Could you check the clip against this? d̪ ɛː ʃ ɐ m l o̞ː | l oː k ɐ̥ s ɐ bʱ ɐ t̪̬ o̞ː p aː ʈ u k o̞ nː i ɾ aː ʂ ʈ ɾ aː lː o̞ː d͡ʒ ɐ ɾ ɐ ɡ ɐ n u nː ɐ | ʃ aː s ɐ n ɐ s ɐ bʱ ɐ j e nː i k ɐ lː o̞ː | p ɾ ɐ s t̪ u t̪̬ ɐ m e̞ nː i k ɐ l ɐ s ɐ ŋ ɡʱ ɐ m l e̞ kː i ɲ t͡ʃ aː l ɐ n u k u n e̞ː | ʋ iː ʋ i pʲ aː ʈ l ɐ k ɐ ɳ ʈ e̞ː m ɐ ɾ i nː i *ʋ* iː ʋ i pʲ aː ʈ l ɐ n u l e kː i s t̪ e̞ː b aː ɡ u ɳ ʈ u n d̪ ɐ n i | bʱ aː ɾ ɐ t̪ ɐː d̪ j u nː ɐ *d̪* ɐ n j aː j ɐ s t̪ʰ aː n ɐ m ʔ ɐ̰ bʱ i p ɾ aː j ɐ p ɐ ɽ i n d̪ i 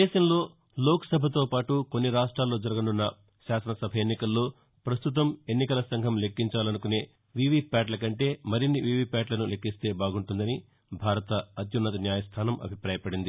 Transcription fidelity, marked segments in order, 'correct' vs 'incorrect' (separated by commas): correct, incorrect